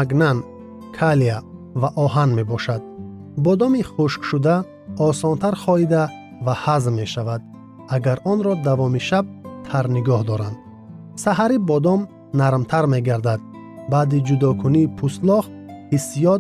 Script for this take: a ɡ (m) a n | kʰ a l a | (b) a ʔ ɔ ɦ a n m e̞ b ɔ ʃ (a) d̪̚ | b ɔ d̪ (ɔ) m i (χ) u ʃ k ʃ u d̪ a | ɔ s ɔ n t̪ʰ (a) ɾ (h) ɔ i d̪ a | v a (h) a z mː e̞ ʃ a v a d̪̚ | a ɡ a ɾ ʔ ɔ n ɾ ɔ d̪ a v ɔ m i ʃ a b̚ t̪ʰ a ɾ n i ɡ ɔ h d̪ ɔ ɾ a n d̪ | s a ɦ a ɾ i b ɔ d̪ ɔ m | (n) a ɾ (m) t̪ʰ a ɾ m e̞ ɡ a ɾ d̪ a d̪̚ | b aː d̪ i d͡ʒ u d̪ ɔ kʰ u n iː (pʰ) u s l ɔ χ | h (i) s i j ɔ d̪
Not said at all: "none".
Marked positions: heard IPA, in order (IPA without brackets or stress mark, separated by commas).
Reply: n, v, a, ɔ, χ, a, χ, h, n, m, pʰ, i